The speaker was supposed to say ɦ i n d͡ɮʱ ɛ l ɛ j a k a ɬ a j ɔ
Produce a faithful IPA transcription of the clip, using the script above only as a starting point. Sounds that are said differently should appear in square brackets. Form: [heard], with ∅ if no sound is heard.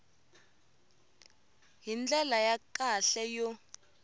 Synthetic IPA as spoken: ɦ i n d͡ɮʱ ɛ l [a] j a k a ɬ [ɛ] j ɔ